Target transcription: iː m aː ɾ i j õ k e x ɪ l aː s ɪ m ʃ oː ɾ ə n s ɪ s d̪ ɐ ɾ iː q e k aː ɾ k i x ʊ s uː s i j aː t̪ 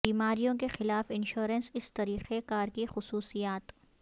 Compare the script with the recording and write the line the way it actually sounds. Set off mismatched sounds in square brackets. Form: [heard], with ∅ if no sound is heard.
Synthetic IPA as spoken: iː m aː ɾ i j õ k e x ɪ l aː [f] ɪ [n] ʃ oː ɾ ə n s ɪ s [t̪] ɐ ɾ iː q e k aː ɾ k i x ʊ s uː s i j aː t̪